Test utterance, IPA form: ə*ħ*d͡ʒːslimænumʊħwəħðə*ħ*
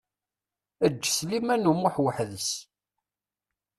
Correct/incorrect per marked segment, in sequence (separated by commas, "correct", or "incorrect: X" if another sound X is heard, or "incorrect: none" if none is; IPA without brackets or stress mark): incorrect: none, incorrect: s